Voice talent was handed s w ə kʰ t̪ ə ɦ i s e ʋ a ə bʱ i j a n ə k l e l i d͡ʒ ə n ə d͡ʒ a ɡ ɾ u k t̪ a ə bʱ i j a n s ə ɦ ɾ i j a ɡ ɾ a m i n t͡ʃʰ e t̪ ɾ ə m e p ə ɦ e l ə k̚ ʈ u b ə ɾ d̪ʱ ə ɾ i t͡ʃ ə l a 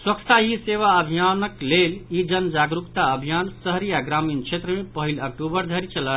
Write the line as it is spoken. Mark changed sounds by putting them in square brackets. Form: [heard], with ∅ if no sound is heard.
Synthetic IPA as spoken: s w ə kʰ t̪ [a] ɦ i s e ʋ a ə bʱ i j a n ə k l e l i d͡ʒ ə n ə d͡ʒ a ɡ ɾ u k t̪ a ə bʱ i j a n s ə ɦ ɾ i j a ɡ ɾ a m i n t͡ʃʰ e t̪ ɾ ə m e p ə ɦ [i] l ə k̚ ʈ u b ə ɾ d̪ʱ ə ɾ i t͡ʃ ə l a